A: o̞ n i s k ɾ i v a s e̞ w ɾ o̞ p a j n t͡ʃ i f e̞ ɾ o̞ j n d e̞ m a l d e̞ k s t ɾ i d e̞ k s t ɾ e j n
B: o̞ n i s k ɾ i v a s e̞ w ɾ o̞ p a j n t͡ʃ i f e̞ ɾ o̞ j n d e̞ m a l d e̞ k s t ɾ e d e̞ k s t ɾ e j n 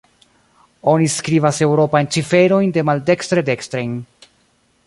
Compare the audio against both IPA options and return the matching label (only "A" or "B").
B